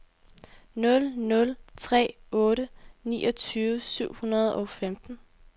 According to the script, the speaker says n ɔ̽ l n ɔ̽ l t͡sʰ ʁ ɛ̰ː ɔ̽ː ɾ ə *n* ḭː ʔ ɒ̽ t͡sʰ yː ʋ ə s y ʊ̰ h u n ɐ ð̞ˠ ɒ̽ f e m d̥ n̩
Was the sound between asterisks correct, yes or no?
yes